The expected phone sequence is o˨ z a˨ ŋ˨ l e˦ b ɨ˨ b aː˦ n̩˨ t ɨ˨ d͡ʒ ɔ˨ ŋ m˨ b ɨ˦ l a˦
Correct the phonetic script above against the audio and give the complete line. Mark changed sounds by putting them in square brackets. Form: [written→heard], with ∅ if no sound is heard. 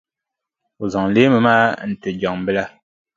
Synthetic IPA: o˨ z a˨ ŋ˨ l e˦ [b→m] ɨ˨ [b→m] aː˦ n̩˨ t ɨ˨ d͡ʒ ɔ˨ ŋ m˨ b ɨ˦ l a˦